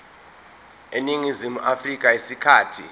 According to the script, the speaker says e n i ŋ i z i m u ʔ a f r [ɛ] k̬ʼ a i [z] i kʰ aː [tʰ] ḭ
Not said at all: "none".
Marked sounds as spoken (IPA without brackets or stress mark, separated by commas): i, s, tʰ